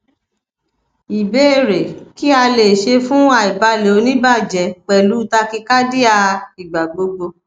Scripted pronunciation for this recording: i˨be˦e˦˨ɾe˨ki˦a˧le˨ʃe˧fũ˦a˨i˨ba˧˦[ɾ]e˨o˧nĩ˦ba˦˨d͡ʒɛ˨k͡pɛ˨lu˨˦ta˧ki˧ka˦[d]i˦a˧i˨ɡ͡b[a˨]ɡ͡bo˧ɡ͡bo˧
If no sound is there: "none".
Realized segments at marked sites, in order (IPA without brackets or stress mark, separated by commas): l, d, a˨